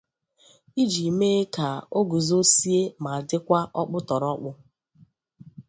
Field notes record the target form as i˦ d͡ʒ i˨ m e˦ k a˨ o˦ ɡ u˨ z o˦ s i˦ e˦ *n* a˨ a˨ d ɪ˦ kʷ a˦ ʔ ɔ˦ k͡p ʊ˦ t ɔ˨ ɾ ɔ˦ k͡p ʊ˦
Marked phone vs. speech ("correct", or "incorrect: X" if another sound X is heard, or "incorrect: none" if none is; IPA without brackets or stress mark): incorrect: m